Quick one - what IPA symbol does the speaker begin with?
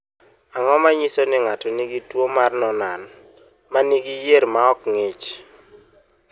a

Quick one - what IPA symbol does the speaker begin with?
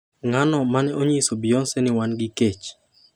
ŋ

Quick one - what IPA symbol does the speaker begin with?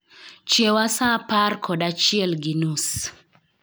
t͡ʃ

